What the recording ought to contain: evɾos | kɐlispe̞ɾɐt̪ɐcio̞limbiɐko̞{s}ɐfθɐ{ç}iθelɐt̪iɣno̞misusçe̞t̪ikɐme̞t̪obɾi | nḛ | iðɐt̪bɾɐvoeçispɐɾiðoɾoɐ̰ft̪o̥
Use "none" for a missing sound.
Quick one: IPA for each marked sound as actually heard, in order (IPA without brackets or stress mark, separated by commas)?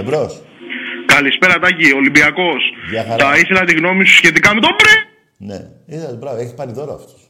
s, none